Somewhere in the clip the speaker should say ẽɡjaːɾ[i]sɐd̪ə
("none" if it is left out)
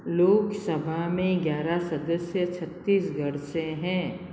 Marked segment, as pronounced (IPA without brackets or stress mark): a